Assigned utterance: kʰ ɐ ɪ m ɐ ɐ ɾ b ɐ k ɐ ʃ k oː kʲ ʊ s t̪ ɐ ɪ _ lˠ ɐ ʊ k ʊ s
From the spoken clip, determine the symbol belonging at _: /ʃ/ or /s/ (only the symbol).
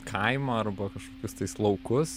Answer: s